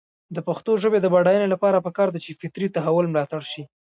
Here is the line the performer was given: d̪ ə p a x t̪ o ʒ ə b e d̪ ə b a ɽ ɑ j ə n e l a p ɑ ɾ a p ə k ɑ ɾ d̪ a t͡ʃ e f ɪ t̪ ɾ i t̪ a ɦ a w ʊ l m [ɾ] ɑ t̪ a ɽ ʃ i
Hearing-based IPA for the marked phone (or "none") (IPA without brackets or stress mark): l